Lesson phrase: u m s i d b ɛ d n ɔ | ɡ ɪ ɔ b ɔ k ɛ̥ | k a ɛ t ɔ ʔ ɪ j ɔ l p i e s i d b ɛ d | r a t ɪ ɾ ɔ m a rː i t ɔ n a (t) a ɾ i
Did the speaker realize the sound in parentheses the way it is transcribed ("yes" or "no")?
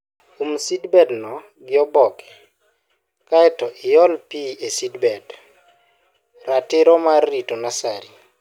no